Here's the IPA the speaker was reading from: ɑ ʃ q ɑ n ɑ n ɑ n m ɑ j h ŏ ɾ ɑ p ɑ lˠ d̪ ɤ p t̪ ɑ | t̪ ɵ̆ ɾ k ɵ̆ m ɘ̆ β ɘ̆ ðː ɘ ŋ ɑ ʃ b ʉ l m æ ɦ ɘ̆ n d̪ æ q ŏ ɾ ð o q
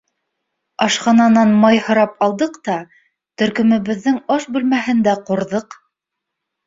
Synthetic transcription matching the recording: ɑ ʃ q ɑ n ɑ n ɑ n m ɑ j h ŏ ɾ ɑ p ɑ lˠ d̪ ɤ q t̪ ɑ | t̪ ɵ̆ ɾ k ɵ̆ m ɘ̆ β ɘ̆ ðː ɘ ŋ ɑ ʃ b ʉ l m æ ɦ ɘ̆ n d̪ æ q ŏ ɾ ð ɤ q